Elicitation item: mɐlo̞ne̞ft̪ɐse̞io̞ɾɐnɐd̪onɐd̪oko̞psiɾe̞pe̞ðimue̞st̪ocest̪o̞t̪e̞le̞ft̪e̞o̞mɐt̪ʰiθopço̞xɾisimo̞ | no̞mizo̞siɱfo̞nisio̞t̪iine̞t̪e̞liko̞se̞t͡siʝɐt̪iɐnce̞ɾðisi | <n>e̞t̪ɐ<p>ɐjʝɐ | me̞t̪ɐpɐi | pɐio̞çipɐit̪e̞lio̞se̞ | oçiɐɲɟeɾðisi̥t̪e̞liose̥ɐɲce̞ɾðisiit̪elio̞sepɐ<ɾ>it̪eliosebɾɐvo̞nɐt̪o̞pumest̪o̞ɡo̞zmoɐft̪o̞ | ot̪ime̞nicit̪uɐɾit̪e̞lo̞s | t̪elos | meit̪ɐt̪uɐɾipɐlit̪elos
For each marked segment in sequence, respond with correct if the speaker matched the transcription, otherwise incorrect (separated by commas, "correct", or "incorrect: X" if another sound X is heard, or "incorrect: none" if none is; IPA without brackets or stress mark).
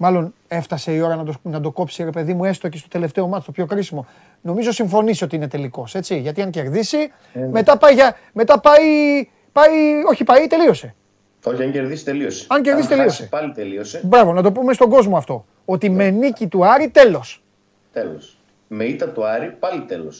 incorrect: m, correct, incorrect: l